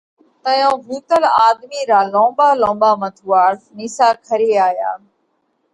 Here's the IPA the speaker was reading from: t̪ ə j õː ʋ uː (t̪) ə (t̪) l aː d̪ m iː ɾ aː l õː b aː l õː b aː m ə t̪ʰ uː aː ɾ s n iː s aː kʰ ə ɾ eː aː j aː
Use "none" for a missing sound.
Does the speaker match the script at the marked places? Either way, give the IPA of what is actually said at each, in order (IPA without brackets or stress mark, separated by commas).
t̪, none